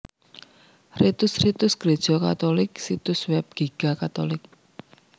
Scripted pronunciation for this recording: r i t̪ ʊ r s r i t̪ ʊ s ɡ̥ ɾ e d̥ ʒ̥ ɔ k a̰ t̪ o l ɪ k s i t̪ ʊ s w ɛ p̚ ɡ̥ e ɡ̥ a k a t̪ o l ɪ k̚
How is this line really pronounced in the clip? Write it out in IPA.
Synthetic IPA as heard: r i t̪ ʊ s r i t̪ ʊ s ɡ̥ ɾ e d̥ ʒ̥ ɔ k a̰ t̪ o l ɪ k s i t̪ ʊ s w ɛ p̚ ɡ̥ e ɡ̥ a k a t̪ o l ɪ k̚